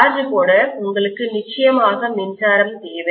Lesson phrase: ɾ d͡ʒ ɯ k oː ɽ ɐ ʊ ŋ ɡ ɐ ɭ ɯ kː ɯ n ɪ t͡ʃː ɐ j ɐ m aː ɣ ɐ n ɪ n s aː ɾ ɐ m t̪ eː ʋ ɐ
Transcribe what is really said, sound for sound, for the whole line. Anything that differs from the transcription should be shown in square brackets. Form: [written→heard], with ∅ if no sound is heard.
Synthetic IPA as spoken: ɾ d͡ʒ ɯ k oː ɽ ɐ ʊ ŋ ɡ ɐ ɭ ɯ kː ɯ n ɪ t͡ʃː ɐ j ɐ m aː ɣ ɐ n ɪ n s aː ɾ ɐ m t̪ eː ʋ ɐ